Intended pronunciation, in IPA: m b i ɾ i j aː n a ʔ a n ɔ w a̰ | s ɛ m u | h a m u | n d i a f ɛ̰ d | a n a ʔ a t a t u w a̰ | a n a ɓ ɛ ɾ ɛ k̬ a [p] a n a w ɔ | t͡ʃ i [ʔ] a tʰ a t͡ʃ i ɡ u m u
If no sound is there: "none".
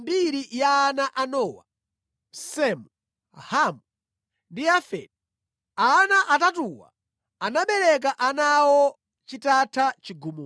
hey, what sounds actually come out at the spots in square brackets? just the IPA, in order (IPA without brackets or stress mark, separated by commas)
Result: ʔ, t